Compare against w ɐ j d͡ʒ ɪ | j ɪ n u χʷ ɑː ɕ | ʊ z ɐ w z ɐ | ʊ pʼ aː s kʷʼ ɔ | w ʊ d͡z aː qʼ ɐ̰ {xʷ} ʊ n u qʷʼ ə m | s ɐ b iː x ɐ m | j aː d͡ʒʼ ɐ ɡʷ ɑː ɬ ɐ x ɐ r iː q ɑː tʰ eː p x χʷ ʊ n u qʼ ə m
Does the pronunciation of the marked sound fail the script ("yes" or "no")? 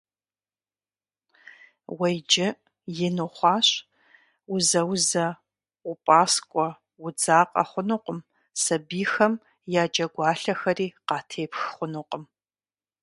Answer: yes